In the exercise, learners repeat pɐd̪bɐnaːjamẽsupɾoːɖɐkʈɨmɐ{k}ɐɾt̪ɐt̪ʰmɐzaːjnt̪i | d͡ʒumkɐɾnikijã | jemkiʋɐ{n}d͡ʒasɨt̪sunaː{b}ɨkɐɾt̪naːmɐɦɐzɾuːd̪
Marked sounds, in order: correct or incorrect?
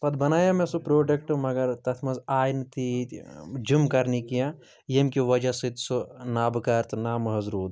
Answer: incorrect: ɡ, incorrect: none, correct

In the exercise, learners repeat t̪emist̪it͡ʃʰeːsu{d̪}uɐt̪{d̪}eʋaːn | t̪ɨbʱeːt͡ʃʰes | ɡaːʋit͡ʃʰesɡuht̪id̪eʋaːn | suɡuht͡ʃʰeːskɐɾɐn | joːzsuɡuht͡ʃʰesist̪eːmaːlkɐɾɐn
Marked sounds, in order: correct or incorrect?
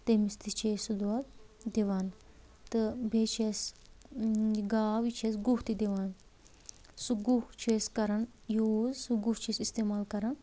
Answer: correct, correct

